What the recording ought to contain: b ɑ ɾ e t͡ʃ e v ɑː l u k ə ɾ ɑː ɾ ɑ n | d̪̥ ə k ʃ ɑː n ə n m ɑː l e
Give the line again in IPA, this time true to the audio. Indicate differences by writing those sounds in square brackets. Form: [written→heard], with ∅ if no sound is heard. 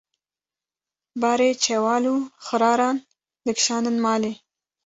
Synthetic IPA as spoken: b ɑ ɾ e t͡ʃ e [v→w] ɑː l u [k→x] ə ɾ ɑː ɾ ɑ n | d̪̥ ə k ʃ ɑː n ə n m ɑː l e